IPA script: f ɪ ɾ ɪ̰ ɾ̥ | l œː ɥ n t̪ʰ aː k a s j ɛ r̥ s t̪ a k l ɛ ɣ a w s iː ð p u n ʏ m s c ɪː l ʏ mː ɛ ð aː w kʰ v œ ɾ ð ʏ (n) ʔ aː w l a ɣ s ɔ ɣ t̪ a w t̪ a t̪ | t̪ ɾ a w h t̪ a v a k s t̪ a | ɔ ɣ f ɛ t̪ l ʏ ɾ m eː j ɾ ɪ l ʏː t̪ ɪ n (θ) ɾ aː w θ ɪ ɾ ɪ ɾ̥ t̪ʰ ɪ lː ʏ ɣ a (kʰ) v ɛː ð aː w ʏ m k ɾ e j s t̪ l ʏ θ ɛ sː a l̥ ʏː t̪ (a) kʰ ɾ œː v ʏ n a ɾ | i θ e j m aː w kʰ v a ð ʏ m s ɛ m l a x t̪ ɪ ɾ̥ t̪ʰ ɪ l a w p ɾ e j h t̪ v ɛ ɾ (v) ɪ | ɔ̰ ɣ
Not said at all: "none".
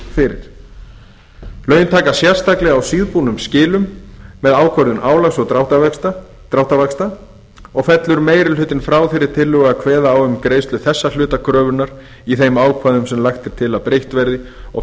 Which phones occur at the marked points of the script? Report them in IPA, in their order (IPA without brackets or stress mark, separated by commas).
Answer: n, f, kʰ, a, ð